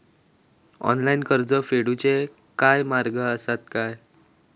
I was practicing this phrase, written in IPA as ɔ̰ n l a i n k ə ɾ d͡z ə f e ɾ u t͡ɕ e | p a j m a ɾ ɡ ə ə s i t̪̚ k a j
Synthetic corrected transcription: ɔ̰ n l a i n k ə ɾ d͡z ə f e ɽ u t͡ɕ e | k a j m a ɾ ɡ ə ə s a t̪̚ k a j